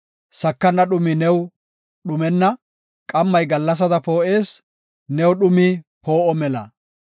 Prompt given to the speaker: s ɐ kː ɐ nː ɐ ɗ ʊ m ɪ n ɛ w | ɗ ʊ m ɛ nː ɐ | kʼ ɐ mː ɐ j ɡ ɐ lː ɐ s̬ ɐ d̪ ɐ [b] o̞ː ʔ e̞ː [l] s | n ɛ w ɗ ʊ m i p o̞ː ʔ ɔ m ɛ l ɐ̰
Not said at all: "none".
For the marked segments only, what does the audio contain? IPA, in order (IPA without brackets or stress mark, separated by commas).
p, none